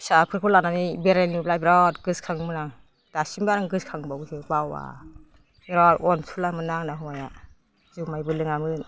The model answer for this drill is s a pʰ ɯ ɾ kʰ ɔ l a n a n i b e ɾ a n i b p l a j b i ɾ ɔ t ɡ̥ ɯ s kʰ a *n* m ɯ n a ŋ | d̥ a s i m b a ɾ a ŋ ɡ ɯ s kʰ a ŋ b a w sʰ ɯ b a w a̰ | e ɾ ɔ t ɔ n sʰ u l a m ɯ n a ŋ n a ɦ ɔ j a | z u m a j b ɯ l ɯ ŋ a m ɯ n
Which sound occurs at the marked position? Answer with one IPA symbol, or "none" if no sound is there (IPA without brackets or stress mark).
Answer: ŋ